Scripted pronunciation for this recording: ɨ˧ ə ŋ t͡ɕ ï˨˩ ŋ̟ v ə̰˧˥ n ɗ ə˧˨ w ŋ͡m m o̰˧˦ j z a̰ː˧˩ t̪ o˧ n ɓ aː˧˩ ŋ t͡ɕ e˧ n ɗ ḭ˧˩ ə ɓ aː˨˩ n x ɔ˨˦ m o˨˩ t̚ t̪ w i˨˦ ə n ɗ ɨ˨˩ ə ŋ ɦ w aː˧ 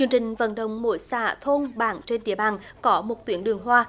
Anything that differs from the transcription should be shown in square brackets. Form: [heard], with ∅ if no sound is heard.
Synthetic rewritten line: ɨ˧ ə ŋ t͡ɕ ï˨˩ ŋ̟ v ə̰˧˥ n ɗ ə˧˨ w ŋ͡m m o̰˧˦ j [s] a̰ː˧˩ [t̪ʰ] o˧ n ɓ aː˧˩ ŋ t͡ɕ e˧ n ɗ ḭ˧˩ ə ɓ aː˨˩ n [k] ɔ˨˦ m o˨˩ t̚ t̪ w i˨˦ ə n ɗ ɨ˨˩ ə ŋ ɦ w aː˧